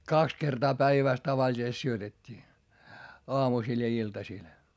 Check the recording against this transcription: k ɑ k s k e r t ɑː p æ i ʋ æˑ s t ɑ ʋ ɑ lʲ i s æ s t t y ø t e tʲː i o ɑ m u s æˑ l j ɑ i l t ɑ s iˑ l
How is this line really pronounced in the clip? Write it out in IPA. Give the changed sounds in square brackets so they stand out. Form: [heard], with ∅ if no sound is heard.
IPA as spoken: k ɑ k s k e r t ɑː p æ i ʋ æˑ s t ɑ ʋ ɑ lʲ i s [e] s t [s] y ø t e tʲː [iː] o ɑ m u s [iˑ] l j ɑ i l t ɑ s iˑ l